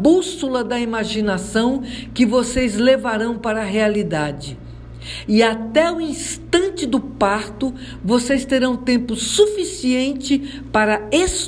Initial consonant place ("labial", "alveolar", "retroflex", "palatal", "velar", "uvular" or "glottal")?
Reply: labial